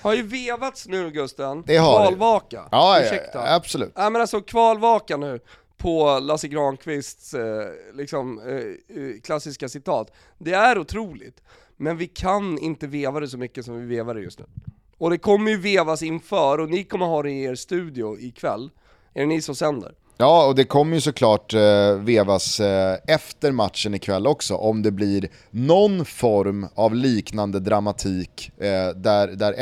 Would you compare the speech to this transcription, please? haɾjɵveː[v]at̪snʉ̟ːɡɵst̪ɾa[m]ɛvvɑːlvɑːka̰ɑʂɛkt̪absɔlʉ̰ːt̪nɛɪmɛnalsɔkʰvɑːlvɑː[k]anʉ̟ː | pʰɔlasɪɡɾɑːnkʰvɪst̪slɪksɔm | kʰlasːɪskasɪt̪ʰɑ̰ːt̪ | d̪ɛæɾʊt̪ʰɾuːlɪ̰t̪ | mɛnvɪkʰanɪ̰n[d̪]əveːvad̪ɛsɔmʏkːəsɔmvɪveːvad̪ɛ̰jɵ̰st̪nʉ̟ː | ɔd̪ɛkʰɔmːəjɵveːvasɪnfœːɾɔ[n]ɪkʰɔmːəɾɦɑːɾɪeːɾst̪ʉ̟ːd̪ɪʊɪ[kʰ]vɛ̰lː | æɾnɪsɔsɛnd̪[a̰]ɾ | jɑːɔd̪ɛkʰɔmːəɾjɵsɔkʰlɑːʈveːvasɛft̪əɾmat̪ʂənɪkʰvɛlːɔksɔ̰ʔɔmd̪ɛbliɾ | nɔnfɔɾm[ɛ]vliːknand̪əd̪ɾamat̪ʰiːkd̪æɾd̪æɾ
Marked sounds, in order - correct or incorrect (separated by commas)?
correct, incorrect, correct, incorrect, correct, correct, incorrect, incorrect